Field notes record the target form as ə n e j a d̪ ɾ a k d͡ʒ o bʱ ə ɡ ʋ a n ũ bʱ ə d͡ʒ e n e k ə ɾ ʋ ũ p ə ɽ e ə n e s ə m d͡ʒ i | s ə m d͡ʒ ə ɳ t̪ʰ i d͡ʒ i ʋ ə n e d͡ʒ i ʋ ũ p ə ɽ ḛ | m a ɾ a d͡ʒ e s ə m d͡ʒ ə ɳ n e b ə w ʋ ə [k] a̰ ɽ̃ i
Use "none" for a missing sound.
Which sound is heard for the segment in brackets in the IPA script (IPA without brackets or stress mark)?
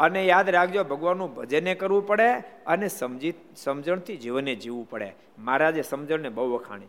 kʰ